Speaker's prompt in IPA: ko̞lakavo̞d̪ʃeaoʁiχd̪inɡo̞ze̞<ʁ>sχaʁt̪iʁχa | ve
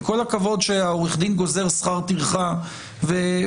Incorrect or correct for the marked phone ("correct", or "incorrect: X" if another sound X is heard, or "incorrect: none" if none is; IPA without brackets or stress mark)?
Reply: correct